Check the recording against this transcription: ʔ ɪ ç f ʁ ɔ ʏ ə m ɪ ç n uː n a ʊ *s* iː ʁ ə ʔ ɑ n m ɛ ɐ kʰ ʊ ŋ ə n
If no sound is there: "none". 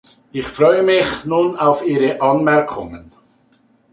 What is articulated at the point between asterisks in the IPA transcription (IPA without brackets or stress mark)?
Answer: f